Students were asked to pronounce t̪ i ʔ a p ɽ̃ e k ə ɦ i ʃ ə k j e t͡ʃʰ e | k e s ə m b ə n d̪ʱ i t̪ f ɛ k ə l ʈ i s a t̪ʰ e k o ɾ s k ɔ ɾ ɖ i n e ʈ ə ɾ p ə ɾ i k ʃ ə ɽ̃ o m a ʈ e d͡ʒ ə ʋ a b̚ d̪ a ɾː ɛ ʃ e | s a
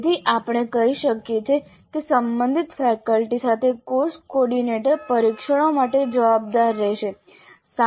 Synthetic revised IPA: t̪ i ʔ a p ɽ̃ e k ə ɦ i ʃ ə k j e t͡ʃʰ e | k e s ə m b ə n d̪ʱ i t̪ f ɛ k ə l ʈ i s a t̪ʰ e k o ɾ s k ɔ ɾ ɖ i n e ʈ ə ɾ p ə ɾ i k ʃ ə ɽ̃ o m a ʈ e d͡ʒ ə ʋ a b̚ d̪ a ɾː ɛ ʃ e | s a